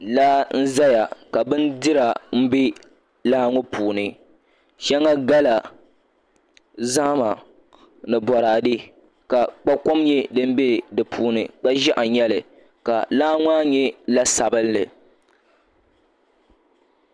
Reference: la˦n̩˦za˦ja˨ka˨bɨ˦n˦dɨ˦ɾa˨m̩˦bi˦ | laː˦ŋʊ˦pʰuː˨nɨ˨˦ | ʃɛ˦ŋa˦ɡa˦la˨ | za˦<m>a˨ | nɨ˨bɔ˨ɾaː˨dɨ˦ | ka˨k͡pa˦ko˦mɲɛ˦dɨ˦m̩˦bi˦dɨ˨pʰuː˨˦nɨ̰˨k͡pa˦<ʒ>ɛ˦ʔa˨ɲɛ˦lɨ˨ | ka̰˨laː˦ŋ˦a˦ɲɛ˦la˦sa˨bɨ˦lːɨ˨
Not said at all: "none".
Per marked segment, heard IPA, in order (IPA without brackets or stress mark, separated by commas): m, ʒ